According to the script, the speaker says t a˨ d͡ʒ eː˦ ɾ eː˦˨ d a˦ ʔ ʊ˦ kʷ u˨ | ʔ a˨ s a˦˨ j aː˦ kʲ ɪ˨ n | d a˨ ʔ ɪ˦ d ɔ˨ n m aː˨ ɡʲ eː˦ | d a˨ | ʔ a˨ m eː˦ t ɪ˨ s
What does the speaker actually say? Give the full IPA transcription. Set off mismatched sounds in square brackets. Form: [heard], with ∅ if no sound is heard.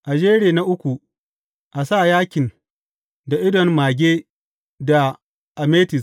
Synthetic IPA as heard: [ʔ] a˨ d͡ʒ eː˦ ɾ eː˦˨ [n] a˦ ʔ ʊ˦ kʷ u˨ | ʔ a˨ s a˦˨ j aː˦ kʲ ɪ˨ n | d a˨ ʔ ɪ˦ d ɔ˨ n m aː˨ ɡʲ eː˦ | d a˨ | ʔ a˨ m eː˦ t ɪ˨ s

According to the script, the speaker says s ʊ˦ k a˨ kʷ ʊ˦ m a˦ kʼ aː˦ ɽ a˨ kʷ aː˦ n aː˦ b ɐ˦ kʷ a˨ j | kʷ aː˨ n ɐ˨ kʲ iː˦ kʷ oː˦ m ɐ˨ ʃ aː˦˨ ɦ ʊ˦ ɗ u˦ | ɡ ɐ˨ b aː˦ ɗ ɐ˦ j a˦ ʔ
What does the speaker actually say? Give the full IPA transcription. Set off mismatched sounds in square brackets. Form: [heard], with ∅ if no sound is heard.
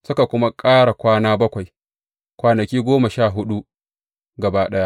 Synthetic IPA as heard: s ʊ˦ k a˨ kʷ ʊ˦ m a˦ kʼ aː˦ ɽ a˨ kʷ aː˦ n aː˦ b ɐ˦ kʷ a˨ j | kʷ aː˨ n ɐ˨ kʲ iː˦ [ɡʷ] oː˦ m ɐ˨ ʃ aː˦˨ ɦ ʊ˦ ɗ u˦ | ɡ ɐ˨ b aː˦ ɗ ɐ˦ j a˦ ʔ

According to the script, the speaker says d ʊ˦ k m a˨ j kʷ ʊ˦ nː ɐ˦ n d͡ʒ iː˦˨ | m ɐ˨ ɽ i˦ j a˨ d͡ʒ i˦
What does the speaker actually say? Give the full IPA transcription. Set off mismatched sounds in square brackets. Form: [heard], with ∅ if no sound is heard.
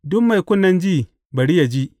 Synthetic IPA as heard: d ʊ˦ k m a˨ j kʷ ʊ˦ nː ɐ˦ n d͡ʒ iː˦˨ | [b] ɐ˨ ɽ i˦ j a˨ d͡ʒ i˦

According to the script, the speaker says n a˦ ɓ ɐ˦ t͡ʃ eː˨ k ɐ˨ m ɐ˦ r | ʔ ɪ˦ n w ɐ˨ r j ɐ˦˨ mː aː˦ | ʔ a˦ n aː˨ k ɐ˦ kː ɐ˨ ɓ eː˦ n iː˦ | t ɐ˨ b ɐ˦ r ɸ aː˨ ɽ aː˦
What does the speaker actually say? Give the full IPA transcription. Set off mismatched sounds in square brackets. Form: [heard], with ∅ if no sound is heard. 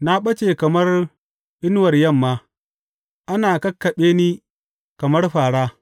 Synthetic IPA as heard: n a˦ ɓ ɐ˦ t͡ʃ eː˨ k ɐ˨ m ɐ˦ r | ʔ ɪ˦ n w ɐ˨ r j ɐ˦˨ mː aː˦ | ʔ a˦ n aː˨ k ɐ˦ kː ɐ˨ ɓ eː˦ n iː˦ | [k] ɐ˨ [m] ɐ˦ r ɸ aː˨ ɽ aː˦

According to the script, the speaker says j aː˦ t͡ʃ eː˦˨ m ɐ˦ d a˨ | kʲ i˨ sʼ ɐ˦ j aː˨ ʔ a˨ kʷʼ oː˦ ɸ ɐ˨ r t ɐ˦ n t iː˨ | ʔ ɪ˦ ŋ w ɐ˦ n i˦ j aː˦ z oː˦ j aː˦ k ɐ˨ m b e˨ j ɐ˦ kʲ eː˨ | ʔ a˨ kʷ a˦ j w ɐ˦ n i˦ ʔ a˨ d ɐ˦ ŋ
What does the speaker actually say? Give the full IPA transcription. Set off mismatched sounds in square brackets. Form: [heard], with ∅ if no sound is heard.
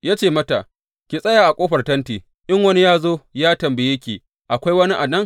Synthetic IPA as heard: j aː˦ t͡ʃ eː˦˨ m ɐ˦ [t] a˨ | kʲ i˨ sʼ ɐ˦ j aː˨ ʔ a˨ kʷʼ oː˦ ɸ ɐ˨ r t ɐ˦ n t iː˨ | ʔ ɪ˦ ŋ w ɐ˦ n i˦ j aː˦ z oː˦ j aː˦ [t] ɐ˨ m b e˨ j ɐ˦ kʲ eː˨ | ʔ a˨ kʷ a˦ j w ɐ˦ n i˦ ʔ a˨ d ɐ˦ ŋ

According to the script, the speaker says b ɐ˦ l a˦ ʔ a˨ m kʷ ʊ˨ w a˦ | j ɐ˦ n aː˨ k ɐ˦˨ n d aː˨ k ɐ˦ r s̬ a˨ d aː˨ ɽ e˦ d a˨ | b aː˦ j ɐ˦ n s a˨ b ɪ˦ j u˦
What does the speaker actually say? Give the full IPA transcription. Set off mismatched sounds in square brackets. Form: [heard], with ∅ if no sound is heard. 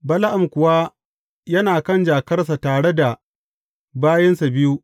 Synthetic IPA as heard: b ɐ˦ l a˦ ʔ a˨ m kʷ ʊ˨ w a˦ | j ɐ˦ n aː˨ k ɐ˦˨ n [d͡ʒ] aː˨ k ɐ˦ r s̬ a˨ [t] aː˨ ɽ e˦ d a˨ | b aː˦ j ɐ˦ n s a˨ b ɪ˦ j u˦

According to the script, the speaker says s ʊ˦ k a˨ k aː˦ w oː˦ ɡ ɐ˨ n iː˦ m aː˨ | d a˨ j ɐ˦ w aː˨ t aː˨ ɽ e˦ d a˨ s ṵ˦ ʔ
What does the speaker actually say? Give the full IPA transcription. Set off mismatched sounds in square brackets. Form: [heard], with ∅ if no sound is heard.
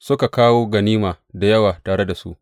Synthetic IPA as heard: s ʊ˦ k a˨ k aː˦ w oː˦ ɡ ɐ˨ n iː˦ m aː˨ | d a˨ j ɐ˦ w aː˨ t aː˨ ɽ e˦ d a˨ s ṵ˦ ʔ

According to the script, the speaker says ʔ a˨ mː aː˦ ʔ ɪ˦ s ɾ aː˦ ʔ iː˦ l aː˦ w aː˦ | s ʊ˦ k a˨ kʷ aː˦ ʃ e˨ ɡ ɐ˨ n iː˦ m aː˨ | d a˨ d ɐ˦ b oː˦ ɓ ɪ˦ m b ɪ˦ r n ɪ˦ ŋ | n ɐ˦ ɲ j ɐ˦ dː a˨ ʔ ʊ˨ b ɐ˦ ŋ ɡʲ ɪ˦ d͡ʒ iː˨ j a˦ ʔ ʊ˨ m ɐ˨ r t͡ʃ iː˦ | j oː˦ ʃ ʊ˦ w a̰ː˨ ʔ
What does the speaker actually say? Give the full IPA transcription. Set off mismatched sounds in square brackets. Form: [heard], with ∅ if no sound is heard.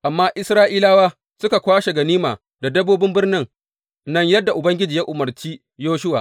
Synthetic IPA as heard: ʔ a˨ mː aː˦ ʔ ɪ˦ s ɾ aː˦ ʔ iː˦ l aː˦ w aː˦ | s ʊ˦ k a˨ kʷ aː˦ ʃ e˨ ɡ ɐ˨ n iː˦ m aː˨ | d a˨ d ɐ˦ b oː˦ [b] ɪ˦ m b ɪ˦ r n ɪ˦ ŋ | n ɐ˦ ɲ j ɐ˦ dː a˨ ʔ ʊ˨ b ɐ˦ ŋ ɡʲ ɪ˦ d͡ʒ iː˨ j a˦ ʔ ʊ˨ m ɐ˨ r t͡ʃ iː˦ | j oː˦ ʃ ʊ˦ w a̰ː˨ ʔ

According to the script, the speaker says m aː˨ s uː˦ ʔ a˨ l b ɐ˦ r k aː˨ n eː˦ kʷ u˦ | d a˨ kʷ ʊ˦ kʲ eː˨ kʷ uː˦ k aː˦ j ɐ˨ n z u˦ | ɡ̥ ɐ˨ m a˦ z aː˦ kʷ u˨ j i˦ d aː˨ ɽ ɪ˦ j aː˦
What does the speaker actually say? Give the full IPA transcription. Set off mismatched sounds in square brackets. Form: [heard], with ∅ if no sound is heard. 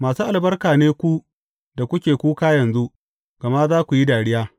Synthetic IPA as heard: m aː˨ s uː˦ ʔ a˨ l b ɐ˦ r k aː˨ n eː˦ kʷ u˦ | d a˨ kʷ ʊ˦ kʲ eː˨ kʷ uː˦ k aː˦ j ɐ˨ n z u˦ | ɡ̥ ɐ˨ m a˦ z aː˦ kʷ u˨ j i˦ d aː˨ ɽ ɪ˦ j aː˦

